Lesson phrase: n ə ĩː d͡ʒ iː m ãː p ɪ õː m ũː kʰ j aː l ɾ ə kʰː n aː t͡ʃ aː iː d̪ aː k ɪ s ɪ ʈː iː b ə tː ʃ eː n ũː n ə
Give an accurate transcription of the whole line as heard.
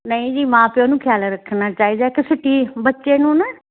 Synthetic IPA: n ə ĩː d͡ʒ iː m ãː p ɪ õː n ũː kʰ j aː l ɾ ə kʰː n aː t͡ʃ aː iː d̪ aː k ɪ s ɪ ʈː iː b ə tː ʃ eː n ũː n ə